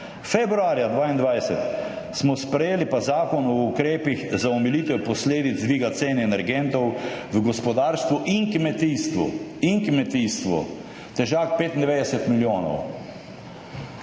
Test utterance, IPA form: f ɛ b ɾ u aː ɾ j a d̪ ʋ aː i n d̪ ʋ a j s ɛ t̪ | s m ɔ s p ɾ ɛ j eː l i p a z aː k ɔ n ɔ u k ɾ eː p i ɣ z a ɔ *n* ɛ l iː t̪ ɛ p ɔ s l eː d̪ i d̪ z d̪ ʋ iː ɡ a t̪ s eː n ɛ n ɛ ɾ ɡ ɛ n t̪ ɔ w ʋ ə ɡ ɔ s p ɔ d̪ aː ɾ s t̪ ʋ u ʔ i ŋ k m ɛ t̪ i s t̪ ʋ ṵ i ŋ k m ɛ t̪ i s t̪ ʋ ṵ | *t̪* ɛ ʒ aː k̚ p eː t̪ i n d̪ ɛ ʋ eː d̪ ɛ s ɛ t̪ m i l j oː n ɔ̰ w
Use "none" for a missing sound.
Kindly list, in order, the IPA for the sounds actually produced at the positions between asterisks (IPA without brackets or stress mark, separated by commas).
m, t̪